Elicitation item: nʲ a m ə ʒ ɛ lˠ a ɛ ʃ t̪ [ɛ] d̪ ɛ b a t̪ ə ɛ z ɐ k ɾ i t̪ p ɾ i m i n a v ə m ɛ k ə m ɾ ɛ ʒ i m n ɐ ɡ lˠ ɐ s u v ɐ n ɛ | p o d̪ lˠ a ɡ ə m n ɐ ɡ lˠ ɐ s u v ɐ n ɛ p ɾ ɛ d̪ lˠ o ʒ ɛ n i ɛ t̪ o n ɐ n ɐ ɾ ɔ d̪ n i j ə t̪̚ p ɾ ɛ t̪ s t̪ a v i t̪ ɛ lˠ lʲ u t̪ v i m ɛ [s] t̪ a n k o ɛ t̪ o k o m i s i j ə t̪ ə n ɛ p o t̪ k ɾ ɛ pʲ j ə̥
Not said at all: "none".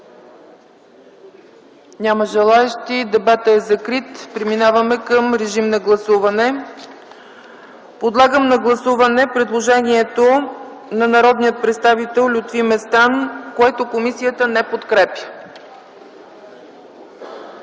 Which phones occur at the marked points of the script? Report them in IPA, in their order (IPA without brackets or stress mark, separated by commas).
i, s